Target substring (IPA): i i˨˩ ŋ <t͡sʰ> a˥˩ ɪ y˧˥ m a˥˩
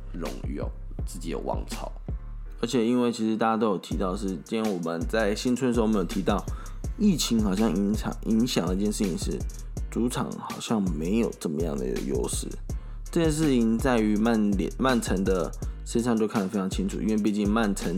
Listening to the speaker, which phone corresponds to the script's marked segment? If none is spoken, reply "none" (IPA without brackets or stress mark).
t͡s